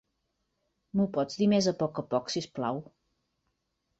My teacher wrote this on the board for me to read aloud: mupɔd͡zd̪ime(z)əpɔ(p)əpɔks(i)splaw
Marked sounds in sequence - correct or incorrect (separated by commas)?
correct, incorrect, correct